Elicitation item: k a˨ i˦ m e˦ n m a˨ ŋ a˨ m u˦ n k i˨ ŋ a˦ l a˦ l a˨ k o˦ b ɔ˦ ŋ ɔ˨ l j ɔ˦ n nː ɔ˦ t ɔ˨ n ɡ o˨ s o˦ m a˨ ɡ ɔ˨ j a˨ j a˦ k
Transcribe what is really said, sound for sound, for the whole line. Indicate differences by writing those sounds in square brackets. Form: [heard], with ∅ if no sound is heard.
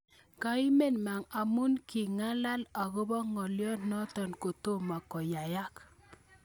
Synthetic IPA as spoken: k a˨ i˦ m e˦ n m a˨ ŋ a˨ m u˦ n k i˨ ŋ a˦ l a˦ l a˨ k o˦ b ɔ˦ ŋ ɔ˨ l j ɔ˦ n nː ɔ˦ t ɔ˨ n [k] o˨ [t] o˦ m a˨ [k] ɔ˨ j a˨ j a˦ k